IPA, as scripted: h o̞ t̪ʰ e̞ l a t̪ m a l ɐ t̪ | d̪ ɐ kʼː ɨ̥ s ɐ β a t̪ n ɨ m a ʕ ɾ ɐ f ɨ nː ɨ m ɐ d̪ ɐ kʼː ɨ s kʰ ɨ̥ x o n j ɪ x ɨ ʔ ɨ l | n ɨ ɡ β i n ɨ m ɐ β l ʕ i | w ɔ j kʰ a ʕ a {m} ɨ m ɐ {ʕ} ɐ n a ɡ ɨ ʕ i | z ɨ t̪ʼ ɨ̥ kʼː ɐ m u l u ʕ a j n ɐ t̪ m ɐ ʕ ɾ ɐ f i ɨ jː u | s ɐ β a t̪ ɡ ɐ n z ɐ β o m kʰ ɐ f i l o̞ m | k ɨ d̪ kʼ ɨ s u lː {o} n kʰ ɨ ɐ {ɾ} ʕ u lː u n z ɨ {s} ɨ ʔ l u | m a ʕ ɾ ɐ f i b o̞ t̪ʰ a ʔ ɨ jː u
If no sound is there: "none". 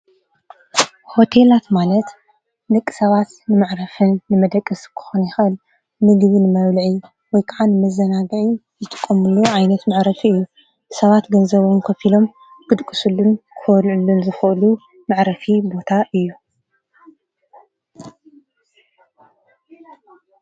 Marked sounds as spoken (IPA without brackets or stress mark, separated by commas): n, z, u, l, x